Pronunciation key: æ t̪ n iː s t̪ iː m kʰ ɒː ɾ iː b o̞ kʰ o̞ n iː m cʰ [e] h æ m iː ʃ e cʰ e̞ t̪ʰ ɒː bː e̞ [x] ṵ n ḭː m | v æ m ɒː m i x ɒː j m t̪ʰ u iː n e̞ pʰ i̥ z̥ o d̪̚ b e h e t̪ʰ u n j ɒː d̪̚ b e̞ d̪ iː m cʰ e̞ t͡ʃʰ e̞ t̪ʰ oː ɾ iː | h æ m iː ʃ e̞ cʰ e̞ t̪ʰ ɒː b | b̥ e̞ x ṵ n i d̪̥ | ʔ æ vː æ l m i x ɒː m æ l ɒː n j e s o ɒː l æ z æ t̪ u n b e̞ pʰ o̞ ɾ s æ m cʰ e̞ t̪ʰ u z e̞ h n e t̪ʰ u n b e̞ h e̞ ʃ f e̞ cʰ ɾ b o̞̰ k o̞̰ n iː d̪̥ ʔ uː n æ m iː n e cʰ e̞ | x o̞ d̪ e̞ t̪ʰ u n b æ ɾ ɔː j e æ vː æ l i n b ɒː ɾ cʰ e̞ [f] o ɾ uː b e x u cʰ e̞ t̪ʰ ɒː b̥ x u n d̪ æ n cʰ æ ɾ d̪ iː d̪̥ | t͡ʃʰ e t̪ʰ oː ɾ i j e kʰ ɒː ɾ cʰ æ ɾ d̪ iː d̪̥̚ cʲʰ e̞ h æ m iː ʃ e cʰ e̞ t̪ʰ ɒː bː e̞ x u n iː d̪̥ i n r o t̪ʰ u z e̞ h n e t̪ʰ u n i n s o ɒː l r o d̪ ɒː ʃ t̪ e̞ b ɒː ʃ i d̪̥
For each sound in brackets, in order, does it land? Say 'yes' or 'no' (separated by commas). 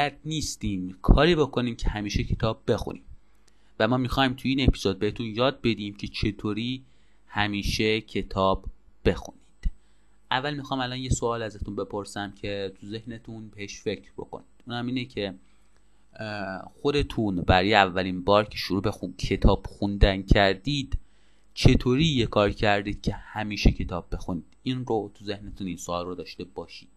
yes, yes, no